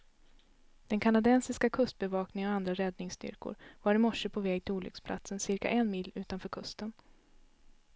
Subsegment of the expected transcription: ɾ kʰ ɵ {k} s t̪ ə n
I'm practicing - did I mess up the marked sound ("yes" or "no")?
yes